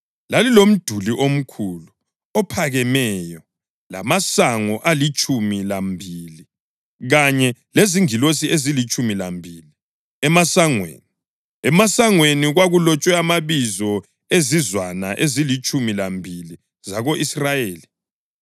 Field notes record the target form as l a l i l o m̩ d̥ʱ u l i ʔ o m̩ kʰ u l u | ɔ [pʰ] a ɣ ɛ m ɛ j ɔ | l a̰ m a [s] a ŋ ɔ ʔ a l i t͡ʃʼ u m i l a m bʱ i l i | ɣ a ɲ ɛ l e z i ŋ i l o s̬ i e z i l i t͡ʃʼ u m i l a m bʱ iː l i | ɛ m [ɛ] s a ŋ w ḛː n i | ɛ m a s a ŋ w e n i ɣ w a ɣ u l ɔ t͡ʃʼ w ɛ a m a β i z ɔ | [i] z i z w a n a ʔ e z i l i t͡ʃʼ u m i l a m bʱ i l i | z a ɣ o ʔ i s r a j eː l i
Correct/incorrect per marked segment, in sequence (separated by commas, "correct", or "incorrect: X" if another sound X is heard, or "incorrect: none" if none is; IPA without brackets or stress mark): correct, correct, incorrect: a, incorrect: e